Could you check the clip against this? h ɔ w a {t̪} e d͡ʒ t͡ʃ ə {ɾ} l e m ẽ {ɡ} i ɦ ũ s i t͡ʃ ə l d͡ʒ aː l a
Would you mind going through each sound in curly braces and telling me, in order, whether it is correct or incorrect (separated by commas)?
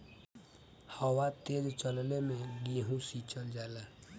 correct, incorrect, correct